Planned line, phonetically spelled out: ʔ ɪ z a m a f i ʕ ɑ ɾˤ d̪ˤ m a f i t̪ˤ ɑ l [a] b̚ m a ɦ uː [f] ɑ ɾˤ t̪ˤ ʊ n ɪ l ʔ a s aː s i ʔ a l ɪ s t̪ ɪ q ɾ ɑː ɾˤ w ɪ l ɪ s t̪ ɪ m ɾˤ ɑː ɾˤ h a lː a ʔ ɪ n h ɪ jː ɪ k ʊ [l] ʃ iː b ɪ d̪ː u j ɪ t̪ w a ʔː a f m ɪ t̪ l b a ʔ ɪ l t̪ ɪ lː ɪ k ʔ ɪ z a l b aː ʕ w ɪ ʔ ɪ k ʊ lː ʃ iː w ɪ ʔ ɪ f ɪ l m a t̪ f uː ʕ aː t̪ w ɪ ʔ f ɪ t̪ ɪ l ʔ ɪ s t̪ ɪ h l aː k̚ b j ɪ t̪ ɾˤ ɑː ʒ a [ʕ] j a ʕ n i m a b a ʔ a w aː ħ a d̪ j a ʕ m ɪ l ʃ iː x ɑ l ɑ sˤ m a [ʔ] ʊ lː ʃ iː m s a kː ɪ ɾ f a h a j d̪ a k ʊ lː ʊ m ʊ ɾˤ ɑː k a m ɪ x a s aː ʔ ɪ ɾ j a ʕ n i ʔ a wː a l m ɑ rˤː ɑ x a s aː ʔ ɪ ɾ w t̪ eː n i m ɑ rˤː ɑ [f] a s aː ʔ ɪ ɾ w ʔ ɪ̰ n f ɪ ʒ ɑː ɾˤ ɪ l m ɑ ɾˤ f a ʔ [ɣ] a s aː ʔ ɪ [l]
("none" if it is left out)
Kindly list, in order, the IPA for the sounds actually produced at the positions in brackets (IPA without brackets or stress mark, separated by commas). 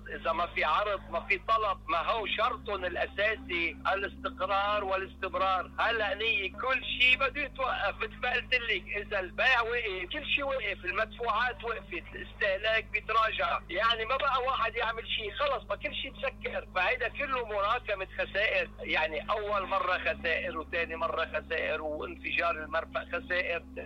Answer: ɑ, ʃ, lː, ʕ, k, x, x, ɾ